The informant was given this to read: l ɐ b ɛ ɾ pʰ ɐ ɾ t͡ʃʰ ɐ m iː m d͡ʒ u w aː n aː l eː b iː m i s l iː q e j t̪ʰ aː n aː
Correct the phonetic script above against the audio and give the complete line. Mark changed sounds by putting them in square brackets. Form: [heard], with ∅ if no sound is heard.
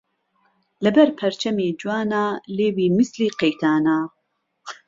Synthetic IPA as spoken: l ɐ b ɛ ɾ pʰ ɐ ɾ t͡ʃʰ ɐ m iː [∅] d͡ʒ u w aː n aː l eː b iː m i s l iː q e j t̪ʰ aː n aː